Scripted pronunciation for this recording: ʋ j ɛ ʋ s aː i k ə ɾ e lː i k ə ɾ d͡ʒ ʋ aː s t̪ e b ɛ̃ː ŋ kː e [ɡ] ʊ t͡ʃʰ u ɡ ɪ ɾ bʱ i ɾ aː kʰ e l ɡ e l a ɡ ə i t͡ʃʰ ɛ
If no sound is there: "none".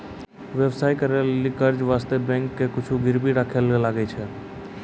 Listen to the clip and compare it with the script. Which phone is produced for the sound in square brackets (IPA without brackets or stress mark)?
k